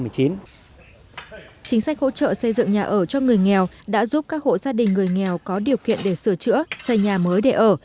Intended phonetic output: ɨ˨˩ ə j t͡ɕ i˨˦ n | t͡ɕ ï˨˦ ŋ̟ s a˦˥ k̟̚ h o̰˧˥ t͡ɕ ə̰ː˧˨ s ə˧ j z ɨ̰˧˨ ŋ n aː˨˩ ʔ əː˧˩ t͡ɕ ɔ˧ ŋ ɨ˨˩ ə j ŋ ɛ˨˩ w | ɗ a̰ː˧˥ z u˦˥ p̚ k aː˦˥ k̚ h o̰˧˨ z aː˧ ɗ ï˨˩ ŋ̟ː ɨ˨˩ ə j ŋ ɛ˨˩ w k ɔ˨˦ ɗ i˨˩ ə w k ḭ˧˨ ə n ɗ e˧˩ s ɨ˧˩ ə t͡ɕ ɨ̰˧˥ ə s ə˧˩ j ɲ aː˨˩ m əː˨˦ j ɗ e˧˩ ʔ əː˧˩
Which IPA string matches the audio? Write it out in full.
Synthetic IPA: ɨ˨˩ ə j t͡ɕ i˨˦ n | t͡ɕ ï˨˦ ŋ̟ s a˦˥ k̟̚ h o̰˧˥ t͡ɕ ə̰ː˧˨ s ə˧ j z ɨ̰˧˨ ŋ ɲ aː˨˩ ʔ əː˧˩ t͡ɕ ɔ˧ ŋ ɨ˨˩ ə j ŋ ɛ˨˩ w | ɗ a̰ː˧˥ z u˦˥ p̚ k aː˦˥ k̚ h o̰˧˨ z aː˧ ɗ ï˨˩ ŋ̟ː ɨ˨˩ ə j ŋ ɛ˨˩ w k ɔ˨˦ ɗ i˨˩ ə w k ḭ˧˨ ə n ɗ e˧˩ s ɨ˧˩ ə t͡ɕ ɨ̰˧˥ ə s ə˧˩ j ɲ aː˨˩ m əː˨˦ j ɗ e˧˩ ʔ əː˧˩